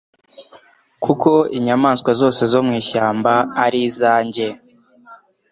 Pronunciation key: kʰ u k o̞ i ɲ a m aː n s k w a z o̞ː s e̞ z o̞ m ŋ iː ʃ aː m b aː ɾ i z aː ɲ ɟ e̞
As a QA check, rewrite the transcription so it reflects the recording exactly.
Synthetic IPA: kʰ u k o̞ i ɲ a m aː n s k w a z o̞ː s e̞ z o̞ m ŋ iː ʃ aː m b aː ɾ i z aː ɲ ɟ e̞